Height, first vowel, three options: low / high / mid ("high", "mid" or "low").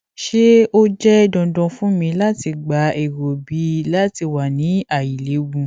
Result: mid